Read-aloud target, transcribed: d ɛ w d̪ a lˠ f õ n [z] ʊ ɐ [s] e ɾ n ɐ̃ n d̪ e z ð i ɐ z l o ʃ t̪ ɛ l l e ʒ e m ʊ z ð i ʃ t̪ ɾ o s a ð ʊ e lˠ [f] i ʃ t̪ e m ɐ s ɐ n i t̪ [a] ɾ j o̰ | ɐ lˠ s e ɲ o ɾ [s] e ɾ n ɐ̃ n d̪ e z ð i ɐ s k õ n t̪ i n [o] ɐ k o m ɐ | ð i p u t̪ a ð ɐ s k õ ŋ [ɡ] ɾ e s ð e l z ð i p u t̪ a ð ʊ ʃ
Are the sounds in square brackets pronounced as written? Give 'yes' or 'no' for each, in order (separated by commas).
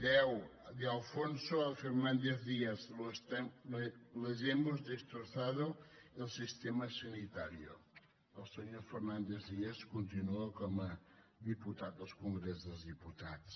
no, no, no, yes, no, no, yes